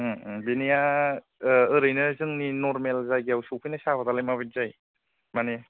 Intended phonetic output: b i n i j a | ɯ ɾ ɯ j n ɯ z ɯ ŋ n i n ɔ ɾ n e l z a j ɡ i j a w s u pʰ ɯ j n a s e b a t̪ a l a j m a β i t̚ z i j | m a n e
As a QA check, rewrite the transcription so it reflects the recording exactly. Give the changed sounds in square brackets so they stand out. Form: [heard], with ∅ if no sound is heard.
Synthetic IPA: b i n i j a | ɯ ɾ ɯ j n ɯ z ɯ ŋ n i n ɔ ɾ [m] e l z a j ɡ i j a w s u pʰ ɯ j n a s [a] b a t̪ a l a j m a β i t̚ z [a] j | m a n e